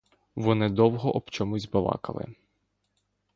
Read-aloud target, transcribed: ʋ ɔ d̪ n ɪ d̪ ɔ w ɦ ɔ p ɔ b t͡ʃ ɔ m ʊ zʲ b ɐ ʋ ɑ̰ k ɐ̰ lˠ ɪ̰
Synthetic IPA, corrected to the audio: ʋ ɔ n ɪ d̪ ɔ w ɦ ɔ ʔ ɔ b t͡ʃ ɔ m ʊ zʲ b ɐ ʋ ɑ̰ k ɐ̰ lˠ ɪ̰